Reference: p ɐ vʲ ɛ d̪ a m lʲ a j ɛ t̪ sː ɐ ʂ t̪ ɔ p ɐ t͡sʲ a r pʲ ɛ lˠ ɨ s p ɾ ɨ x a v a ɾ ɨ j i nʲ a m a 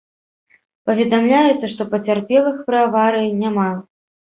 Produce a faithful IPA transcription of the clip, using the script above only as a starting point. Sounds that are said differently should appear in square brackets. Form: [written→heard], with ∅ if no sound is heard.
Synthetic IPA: p ɐ vʲ ɛ d̪ a m lʲ a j ɛ t̪ sː ɐ ʂ t̪ ɔ p ɐ t͡sʲ a r pʲ ɛ lˠ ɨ [s→x] p ɾ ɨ [x→∅] a v a ɾ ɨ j i nʲ a m a

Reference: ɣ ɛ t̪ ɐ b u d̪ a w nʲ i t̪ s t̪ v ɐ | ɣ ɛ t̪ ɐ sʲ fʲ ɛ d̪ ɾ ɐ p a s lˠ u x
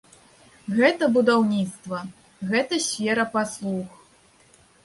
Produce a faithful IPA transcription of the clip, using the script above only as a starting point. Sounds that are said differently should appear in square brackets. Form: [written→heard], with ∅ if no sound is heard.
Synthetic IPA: ɣ ɛ t̪ ɐ b u d̪ a w nʲ i t̪ s t̪ v ɐ | ɣ ɛ t̪ ɐ sʲ fʲ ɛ [d̪→∅] ɾ ɐ p a s lˠ u x

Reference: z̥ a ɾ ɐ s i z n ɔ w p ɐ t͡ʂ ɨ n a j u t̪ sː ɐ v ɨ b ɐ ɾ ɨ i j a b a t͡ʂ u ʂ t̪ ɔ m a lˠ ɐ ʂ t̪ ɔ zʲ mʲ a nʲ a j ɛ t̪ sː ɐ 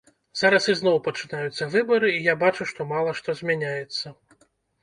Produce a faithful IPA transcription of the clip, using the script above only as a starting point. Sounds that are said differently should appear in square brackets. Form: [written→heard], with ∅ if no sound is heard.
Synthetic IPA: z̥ a ɾ ɐ s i z n ɔ w p ɐ t͡ʂ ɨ n a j u t̪ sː ɐ v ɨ b ɐ ɾ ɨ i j a b a t͡ʂ u ʂ t̪ ɔ m a lˠ ɐ ʂ t̪ ɔ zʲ mʲ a nʲ a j ɛ t̪ sː ɐ

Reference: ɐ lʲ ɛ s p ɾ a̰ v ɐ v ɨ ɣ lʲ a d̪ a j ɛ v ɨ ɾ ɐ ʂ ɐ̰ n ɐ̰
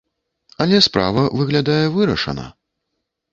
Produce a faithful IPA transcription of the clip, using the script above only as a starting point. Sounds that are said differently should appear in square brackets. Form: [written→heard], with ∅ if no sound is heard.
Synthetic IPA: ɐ lʲ ɛ s p ɾ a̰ v ɐ v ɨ ɣ lʲ a d̪ a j ɛ v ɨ ɾ ɐ ʂ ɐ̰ n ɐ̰

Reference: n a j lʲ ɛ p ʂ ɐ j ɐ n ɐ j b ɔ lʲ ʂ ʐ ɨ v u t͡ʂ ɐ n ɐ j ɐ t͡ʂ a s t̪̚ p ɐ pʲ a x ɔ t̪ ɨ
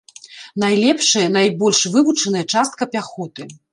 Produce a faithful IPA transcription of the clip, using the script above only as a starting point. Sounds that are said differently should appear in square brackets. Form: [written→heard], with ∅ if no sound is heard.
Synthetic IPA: n a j lʲ ɛ p ʂ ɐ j ɐ n [ɐ→a] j b ɔ lʲ ʂ [ʐ→v] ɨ v u t͡ʂ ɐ n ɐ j ɐ t͡ʂ a s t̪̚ [p→k] ɐ pʲ a x ɔ t̪ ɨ

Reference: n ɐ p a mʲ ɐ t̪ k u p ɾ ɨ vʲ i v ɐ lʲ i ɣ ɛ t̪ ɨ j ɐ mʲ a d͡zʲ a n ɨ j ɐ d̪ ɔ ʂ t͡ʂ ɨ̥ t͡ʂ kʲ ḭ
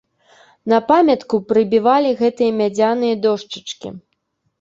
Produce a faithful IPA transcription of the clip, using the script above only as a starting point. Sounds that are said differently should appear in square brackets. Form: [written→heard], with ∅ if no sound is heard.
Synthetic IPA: n ɐ p a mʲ ɐ t̪ k u p ɾ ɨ [vʲ→bʲ] i v [ɐ→a] lʲ i ɣ ɛ t̪ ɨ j ɐ mʲ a d͡zʲ a n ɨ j ɐ d̪ ɔ ʂ t͡ʂ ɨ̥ t͡ʂ kʲ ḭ

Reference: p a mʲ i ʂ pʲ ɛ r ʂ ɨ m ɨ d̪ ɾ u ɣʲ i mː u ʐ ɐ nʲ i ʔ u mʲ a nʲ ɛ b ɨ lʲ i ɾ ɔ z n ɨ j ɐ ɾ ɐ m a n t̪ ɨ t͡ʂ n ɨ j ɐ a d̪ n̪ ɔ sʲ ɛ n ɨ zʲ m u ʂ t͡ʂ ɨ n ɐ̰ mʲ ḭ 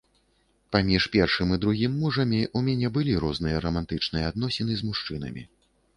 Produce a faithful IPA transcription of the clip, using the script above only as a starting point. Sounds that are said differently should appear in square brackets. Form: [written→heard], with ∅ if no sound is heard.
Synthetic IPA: p a mʲ i ʂ pʲ ɛ r ʂ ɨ m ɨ d̪ ɾ u ɣʲ i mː u ʐ ɐ [nʲ→mʲ] i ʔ u mʲ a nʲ ɛ b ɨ lʲ i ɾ ɔ z n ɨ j ɐ ɾ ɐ m a n t̪ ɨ t͡ʂ n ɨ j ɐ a d̪ n̪ ɔ sʲ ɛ n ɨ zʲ m u ʂ t͡ʂ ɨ n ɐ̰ mʲ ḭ

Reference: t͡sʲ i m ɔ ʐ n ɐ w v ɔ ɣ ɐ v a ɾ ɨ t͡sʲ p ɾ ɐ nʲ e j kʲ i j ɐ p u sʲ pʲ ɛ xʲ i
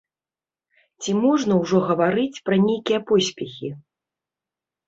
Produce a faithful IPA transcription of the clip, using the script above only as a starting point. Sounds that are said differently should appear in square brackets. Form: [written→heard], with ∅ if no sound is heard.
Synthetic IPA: t͡sʲ i m ɔ ʐ n ɐ w [v→ʐ] ɔ ɣ ɐ v a ɾ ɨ t͡sʲ p ɾ ɐ nʲ e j kʲ i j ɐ p [u→ɔ] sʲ pʲ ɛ xʲ i

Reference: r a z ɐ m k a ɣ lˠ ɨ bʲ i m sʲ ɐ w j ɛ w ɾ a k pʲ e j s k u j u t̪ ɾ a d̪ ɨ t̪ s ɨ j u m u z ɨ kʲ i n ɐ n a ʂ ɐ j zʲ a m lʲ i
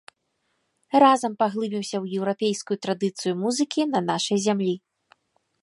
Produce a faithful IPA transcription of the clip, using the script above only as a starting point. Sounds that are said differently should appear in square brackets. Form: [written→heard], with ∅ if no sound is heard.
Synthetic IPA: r a z ɐ m [k→p] a ɣ lˠ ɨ bʲ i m sʲ ɐ w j ɛ w ɾ a [k→∅] pʲ e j s k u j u t̪ ɾ a d̪ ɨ t̪ s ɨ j u m u z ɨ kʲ i n ɐ n a ʂ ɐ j zʲ a m lʲ i

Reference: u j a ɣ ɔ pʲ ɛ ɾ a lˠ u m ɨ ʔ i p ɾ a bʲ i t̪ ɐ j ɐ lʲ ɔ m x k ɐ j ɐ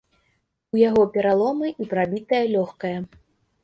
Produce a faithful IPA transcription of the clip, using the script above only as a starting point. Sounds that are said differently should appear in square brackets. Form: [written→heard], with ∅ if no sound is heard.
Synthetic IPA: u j a ɣ ɔ pʲ ɛ ɾ a lˠ [u→ɔ] m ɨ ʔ i p ɾ a bʲ i t̪ ɐ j ɐ lʲ ɔ [m→∅] x k ɐ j ɐ

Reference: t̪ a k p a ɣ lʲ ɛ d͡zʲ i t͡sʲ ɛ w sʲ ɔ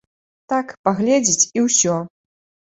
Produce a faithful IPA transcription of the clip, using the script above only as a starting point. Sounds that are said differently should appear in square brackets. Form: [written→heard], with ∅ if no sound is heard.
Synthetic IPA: t̪ a k p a ɣ lʲ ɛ d͡zʲ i t͡sʲ [ɛ→i] w sʲ ɔ

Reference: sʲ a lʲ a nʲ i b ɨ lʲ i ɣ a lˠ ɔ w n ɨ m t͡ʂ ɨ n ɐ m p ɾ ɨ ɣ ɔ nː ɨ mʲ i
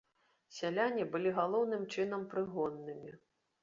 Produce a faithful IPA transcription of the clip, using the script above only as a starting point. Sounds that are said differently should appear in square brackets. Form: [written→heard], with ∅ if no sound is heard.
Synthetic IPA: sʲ a lʲ a nʲ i b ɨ lʲ i ɣ a lˠ ɔ w n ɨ m t͡ʂ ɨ n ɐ m p ɾ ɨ ɣ ɔ nː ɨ mʲ i

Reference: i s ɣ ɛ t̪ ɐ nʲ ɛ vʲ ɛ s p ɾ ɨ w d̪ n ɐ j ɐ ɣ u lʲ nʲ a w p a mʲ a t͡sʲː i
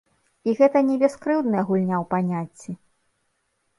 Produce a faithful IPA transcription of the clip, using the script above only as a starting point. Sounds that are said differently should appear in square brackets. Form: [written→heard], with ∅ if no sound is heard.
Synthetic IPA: i [s→∅] ɣ ɛ t̪ ɐ nʲ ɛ [vʲ→bʲ] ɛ s [p→k] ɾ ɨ w d̪ n ɐ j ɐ ɣ u lʲ nʲ a w p a [mʲ→nʲ] a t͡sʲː i

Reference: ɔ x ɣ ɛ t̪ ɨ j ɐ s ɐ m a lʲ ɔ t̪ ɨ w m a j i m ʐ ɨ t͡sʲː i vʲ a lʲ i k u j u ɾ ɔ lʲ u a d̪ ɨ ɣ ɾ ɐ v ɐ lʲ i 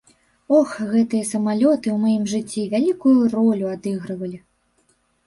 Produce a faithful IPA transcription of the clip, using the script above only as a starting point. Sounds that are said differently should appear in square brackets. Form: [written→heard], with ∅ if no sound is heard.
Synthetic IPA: ɔ x ɣ ɛ t̪ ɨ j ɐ s ɐ m a lʲ ɔ t̪ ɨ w m a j i m ʐ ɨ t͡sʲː i vʲ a lʲ i k u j u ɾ ɔ lʲ u a d̪ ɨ ɣ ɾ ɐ v ɐ lʲ i

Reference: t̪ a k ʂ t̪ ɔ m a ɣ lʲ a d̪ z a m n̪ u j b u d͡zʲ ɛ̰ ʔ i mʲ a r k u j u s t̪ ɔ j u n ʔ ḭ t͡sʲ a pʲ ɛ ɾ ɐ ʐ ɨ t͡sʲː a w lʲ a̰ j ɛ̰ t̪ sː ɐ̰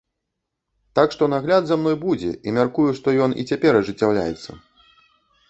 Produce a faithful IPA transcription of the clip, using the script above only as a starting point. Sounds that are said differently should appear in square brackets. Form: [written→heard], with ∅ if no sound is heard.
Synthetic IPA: t̪ a k ʂ t̪ ɔ [m→n] a ɣ lʲ a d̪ z a m n̪ [u→ɔ] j b u d͡zʲ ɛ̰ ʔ i mʲ a r k u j u [s→ʂ] t̪ ɔ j [u→ɔ] n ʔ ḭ t͡sʲ a pʲ ɛ ɾ ɐ ʐ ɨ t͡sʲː a w lʲ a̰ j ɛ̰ t̪ sː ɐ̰

